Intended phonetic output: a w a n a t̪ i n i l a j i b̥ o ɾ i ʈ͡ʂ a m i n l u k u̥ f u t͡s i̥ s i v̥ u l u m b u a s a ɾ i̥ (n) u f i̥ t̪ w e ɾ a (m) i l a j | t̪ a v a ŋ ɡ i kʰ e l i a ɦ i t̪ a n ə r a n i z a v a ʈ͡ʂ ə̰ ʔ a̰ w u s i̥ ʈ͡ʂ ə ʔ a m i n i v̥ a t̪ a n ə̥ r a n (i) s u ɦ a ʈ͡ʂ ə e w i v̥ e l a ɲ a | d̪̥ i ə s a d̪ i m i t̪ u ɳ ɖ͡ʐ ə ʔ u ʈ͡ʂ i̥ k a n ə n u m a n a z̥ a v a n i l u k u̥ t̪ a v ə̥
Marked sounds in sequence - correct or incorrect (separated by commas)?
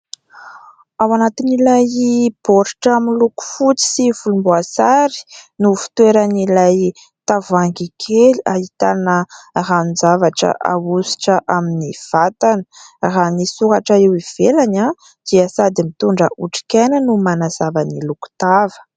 correct, incorrect, correct